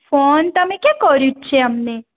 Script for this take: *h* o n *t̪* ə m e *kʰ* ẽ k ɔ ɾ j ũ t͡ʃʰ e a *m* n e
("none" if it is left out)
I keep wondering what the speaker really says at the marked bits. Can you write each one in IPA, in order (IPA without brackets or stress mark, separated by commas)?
f, t̪, k, m